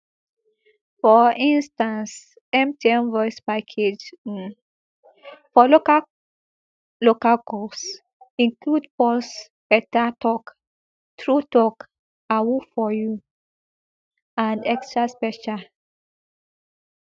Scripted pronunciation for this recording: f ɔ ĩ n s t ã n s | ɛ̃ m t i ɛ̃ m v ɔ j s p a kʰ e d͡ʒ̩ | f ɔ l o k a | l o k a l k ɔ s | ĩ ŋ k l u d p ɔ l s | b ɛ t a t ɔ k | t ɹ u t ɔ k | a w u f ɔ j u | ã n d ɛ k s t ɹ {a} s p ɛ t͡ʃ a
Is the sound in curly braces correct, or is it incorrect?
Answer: correct